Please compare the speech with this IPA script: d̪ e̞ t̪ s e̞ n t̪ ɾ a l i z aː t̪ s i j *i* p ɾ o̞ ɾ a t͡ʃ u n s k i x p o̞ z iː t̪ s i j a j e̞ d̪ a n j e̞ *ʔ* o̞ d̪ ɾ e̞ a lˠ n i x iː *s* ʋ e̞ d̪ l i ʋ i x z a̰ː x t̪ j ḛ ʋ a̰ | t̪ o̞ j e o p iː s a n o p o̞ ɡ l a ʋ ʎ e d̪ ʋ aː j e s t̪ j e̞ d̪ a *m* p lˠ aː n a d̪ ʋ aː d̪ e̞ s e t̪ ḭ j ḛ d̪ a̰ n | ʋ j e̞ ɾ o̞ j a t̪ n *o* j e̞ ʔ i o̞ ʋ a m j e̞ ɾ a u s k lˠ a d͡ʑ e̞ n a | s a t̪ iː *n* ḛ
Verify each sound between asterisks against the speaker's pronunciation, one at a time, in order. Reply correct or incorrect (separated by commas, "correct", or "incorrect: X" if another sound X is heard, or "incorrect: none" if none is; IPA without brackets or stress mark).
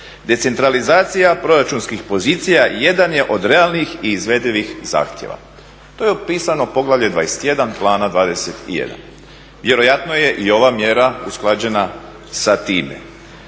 incorrect: a, correct, incorrect: z, incorrect: n, correct, incorrect: m